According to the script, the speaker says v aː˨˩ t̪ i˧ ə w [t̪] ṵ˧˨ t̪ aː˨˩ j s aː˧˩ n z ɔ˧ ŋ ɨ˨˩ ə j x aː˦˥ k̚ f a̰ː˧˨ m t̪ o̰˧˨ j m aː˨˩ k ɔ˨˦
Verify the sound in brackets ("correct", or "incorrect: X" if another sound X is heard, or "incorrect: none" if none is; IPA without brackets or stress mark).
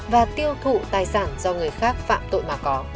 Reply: incorrect: t̪ʰ